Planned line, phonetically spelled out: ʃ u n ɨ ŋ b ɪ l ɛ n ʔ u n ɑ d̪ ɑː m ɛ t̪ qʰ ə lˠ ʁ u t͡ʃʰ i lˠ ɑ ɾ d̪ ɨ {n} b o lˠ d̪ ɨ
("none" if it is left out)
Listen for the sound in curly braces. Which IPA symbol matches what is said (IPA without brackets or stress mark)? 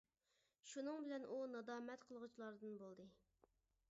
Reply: n